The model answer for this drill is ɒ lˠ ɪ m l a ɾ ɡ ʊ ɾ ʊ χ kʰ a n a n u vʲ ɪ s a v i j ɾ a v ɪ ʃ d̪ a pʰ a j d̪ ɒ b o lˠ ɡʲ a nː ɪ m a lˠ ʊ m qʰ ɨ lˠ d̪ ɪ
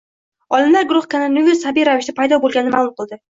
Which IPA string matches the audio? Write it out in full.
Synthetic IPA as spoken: ɒ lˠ ɪ m l a ɾ ɡ ʊ ɾ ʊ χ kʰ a n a n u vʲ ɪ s a b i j ɾ a v ɪ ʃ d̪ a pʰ a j d̪ ɒ b o lˠ ɡʲ a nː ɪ m a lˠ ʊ m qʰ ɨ lˠ d̪ ɪ